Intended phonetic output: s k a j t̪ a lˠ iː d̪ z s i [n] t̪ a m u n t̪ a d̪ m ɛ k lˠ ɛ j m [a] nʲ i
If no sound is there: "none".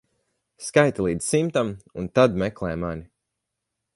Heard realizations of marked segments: m, a

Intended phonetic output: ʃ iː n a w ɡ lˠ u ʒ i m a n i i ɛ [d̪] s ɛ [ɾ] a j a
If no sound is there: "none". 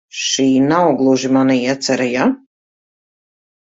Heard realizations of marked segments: t̪, ɾ

